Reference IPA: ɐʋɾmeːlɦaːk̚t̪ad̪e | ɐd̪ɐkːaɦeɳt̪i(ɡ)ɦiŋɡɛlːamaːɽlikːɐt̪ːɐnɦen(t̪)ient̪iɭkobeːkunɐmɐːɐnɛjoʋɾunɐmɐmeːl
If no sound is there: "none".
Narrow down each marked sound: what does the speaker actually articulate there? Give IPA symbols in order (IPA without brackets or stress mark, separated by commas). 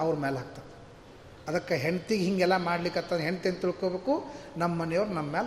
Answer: ɡ, t̪